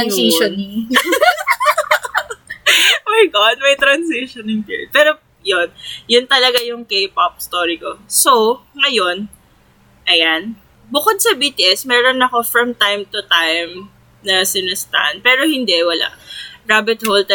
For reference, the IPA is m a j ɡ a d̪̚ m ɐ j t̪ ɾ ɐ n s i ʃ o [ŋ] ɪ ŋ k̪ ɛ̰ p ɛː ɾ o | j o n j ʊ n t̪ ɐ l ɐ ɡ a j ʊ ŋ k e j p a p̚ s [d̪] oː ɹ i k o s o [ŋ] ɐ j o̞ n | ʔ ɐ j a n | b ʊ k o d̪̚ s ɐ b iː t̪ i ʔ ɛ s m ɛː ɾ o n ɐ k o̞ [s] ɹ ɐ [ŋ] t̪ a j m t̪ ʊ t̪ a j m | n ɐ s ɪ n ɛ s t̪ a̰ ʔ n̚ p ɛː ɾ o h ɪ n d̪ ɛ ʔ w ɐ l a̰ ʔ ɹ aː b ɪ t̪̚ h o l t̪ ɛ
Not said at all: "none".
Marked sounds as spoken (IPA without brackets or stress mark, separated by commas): n, t̪, ŋ, f, m